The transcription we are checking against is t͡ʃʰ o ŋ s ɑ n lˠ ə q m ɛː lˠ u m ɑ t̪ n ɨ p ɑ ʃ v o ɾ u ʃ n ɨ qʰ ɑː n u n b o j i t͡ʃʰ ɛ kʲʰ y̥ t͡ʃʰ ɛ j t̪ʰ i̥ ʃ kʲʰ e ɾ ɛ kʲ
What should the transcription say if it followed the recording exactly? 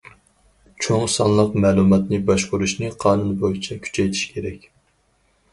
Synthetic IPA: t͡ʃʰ o ŋ s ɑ n lˠ ə q m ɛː lˠ u m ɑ t̪ n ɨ b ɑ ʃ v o ɾ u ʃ n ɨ qʰ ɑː n u n b o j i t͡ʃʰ ɛ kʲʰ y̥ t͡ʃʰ ɛ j t̪ʰ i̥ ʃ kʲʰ e ɾ ɛ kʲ